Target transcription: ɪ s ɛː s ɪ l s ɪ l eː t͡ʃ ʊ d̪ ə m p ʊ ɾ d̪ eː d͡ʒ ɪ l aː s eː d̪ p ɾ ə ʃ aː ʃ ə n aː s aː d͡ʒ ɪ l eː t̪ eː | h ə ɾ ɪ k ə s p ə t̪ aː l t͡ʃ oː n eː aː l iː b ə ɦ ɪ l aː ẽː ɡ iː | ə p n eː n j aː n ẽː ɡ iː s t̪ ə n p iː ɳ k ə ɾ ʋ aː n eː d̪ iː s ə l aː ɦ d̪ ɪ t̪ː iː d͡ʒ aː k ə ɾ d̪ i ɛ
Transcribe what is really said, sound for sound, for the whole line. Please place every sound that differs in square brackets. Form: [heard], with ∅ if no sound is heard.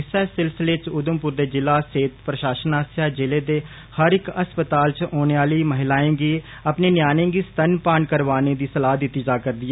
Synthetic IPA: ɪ s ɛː s ɪ l s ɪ l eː t͡ʃ ʊ d̪ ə m p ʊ ɾ d̪ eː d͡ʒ ɪ l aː s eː [t̪] p ɾ ə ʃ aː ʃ ə n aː s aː d͡ʒ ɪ l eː [d̪] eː | h ə ɾ ɪ k ə s p ə t̪ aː l t͡ʃ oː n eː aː l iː [m] ə ɦ ɪ l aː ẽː ɡ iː | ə p n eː n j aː n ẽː ɡ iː s t̪ ə n p [aː] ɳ k ə ɾ ʋ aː n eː d̪ iː s ə l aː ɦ d̪ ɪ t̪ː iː d͡ʒ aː k ə ɾ d̪ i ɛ